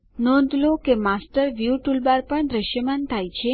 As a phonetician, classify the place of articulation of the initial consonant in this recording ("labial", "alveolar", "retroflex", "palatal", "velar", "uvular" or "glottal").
alveolar